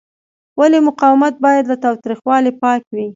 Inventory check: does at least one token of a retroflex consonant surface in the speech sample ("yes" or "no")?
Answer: no